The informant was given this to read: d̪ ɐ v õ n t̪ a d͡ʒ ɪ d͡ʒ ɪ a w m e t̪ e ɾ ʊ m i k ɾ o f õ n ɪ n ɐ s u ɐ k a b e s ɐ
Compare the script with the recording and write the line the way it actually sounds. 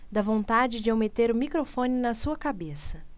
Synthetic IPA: d̪ ɐ v õ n t̪ a d͡ʒ ɪ d͡ʒ ɪ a w m e t̪ e ɾ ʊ m i k ɾ o f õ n ɪ n ɐ s u ɐ k a b e s ɐ